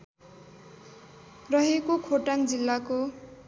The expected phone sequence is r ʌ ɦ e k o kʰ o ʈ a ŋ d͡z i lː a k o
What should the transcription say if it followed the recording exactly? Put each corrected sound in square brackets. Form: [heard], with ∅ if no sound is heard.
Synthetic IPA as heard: r ʌ ɦ e k o kʰ o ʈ a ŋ d͡z i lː a k o